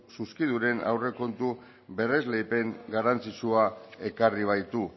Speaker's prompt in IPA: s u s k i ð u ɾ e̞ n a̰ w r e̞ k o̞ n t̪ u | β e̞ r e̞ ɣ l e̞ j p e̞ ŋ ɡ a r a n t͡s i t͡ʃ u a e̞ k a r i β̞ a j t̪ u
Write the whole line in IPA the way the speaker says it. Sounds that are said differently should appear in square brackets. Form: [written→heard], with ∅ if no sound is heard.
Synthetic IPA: s u s k i ð u ɾ e̞ n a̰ w r e̞ k o̞ n t̪ u | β e̞ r e̞ [ɣ→z] l e̞ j p e̞ ŋ ɡ a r a n t͡s i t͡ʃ u a e̞ k a r i β̞ a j t̪ u